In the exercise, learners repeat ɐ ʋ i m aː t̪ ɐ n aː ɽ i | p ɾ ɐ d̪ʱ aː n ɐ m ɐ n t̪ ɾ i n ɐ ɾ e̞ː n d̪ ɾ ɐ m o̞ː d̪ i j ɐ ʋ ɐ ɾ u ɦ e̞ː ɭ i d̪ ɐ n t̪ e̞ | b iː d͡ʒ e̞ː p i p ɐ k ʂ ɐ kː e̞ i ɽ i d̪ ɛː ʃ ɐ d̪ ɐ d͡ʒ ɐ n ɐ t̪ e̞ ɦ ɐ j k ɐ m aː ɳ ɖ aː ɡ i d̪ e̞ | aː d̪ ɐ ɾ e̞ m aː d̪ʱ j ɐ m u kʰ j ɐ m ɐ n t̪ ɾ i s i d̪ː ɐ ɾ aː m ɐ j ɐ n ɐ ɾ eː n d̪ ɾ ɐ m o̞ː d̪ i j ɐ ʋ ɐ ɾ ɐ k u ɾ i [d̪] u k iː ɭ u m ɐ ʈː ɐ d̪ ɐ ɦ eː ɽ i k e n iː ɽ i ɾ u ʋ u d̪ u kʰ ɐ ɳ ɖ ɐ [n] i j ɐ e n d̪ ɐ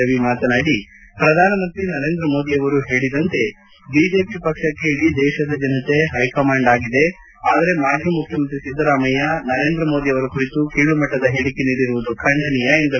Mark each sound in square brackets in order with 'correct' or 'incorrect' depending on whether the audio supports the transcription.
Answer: incorrect: t̪, correct

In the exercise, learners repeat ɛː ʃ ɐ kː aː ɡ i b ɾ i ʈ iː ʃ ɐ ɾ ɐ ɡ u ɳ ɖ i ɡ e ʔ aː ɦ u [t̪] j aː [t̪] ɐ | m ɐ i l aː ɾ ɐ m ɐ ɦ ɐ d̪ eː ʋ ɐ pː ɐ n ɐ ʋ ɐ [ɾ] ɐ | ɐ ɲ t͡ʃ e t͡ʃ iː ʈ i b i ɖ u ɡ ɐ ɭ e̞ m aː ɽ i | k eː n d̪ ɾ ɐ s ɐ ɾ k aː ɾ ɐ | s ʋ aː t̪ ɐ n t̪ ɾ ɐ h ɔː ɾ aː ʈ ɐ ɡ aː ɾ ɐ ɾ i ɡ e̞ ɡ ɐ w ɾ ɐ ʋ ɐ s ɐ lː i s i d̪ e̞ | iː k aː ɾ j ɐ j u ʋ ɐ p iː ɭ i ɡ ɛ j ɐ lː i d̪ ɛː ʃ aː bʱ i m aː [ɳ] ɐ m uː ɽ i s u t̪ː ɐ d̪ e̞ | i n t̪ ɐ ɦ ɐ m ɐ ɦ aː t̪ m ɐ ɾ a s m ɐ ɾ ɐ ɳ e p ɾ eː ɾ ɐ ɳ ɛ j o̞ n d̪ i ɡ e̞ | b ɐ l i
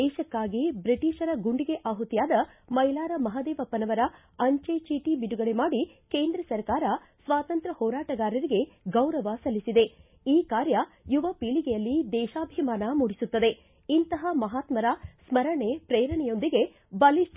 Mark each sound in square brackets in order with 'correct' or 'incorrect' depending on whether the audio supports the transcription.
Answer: correct, incorrect: d̪, correct, incorrect: n

